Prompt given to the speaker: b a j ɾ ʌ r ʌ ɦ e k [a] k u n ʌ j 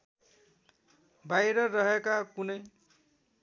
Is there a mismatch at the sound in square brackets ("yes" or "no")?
no